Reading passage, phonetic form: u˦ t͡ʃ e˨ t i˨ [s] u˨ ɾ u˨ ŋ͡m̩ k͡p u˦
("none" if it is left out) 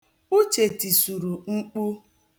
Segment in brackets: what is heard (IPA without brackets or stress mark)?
s